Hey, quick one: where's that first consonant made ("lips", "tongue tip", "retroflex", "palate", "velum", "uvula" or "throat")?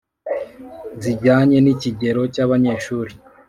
tongue tip